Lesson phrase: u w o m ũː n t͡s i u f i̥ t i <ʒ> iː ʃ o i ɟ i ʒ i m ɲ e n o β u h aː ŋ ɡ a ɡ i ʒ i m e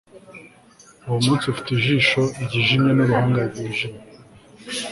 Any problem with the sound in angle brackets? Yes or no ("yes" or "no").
no